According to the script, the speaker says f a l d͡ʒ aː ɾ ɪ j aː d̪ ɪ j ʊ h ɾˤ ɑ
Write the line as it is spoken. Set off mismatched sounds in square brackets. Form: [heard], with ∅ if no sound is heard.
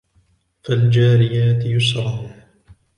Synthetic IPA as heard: f a l d͡ʒ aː ɾ ɪ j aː [t̪] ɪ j ʊ [s] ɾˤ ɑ